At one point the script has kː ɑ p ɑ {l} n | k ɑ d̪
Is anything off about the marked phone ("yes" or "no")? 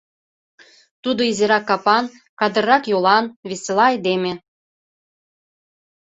yes